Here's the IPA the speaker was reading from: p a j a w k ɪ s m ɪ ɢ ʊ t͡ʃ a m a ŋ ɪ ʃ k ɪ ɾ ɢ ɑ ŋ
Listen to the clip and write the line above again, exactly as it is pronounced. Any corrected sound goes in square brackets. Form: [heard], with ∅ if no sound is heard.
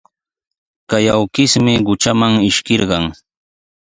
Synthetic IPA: [k] a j a w k ɪ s m ɪ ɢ ʊ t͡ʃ a m a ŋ ɪ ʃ k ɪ ɾ ɢ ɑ ŋ

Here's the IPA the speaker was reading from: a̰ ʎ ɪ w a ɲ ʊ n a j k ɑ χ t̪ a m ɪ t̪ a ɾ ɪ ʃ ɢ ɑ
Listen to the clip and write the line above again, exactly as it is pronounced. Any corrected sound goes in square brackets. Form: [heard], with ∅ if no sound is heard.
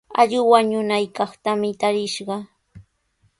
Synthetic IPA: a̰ ʎ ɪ w a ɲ ʊ n a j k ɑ χ t̪ a m ɪ t̪ a ɾ ɪ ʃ ɢ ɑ

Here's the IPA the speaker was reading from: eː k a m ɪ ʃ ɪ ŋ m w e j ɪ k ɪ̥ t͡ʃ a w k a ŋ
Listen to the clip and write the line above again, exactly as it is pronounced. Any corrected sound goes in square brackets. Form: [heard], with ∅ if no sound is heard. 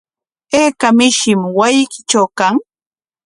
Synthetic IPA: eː k a m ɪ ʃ ɪ [∅] m w [a] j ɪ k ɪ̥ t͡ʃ a w k a ŋ

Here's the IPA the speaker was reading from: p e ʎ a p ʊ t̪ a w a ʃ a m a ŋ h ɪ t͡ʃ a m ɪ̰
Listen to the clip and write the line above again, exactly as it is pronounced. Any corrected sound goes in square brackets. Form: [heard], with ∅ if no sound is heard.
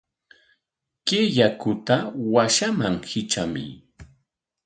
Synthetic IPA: [k] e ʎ a [k] ʊ t̪ a w a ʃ a m a ŋ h ɪ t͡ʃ a m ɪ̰

